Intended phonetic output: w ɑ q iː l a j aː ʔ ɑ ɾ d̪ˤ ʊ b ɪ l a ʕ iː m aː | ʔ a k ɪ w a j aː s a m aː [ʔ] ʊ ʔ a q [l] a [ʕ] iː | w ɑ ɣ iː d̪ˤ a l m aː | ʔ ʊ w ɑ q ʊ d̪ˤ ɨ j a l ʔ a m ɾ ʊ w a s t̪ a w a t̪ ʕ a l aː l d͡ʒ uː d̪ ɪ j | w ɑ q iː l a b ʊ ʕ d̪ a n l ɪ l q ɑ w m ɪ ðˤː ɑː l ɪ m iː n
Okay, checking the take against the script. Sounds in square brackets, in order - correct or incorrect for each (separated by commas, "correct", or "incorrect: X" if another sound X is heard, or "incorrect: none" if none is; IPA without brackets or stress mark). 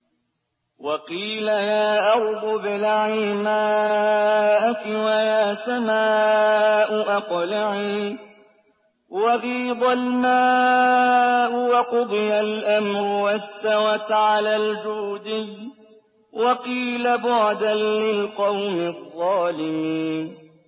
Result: correct, correct, correct